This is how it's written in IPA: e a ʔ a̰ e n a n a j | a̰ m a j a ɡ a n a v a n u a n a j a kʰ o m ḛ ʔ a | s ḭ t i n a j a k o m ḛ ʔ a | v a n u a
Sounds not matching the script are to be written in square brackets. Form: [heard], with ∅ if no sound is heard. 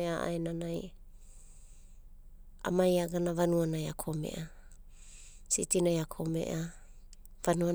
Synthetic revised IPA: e a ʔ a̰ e n a n a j | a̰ m a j a ɡ a n a v a n u a n a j a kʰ o m ḛ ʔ a | s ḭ t i n a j a [kʰ] o m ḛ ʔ a | v a n u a